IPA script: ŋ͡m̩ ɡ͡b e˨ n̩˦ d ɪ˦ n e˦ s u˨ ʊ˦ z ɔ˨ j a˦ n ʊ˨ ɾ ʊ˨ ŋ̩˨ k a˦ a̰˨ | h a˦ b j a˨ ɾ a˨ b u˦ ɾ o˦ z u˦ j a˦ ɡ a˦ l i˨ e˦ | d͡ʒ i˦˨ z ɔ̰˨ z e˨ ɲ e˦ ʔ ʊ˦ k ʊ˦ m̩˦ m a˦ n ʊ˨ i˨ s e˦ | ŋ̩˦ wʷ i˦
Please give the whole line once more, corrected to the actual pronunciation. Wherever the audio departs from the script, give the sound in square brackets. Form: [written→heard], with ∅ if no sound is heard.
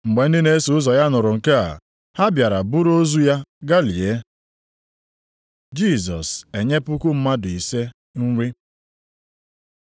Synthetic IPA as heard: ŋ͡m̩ ɡ͡b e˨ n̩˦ d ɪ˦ n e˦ s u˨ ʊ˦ z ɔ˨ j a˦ n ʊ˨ ɾ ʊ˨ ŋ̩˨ k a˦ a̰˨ | h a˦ b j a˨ ɾ a˨ b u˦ ɾ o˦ z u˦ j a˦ ɡ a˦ l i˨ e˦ | d͡ʒ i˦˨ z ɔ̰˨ [z→s] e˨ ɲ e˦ [ʔ→p] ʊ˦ k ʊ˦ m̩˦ m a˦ [n→d] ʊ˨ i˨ s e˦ | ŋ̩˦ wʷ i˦